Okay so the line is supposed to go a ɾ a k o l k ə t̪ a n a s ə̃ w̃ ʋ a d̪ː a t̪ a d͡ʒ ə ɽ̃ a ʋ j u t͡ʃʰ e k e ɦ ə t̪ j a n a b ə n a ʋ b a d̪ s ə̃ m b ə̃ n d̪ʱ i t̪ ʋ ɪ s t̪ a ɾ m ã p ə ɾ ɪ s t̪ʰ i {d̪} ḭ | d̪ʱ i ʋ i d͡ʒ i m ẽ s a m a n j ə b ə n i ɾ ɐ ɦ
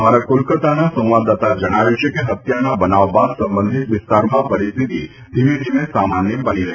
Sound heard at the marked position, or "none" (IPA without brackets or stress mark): t̪